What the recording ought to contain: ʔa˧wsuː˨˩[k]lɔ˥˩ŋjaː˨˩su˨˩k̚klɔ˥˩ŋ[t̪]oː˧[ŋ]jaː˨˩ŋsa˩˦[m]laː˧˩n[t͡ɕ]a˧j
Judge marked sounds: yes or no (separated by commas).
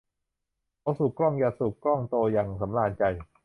yes, yes, no, yes, yes